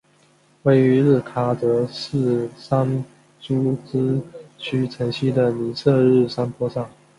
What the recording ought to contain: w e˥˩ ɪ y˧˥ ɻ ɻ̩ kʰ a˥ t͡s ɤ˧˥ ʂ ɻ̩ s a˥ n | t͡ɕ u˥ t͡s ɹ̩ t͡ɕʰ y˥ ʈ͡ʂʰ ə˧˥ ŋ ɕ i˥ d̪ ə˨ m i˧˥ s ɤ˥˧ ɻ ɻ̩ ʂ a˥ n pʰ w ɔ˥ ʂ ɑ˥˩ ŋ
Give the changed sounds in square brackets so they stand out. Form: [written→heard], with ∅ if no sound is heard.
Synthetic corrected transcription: w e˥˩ ɪ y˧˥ ɻ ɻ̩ kʰ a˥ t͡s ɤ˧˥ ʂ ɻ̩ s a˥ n | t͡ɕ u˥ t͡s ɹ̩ t͡ɕʰ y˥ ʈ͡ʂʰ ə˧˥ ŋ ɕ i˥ d̪ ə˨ [m→n] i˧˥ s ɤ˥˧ ɻ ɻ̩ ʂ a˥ n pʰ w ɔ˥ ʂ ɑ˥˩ ŋ

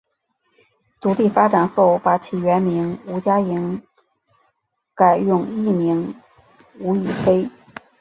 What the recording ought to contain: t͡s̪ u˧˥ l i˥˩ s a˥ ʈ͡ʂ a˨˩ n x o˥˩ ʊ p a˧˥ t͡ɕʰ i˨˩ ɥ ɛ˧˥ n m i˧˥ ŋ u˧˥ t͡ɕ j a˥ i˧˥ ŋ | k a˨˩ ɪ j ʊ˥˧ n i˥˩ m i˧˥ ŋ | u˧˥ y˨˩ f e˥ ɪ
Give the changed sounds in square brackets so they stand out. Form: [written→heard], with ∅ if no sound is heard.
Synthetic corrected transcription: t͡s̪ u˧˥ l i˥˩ [s→f] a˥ ʈ͡ʂ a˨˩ n x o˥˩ ʊ p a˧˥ t͡ɕʰ i˨˩ ɥ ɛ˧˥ n m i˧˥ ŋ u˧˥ t͡ɕ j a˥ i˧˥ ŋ | k a˨˩ ɪ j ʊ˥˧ [n→ŋ] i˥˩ m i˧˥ ŋ | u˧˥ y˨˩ f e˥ ɪ

